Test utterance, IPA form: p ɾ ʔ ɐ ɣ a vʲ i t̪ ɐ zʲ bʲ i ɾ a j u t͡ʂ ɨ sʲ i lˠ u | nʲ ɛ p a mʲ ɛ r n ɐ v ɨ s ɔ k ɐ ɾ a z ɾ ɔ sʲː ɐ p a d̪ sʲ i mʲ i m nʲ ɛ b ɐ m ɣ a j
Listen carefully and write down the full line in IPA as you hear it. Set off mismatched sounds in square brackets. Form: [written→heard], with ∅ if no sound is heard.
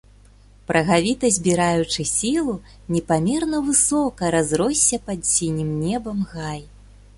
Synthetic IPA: p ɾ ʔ ɐ ɣ a vʲ i t̪ ɐ zʲ bʲ i ɾ a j u t͡ʂ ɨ sʲ i lˠ u | nʲ ɛ p a mʲ ɛ r n ɐ v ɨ s ɔ k ɐ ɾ a z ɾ ɔ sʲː ɐ p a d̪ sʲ i [mʲ→nʲ] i m nʲ ɛ b ɐ m ɣ a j